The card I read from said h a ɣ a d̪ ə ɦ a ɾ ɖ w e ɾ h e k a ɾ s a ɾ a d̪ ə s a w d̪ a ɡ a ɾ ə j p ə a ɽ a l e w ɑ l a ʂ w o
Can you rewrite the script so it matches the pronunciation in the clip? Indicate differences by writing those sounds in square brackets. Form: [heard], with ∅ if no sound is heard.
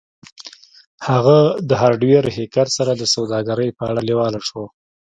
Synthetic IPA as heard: h a ɣ a d̪ ə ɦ a ɾ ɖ w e ɾ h e k a ɾ s a ɾ a d̪ ə s a w d̪ [ɑ] ɡ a ɾ ə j p ə a ɽ a l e w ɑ l a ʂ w o